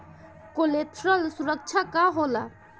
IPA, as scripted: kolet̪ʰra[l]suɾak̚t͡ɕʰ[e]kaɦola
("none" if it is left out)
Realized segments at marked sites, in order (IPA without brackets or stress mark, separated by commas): l, a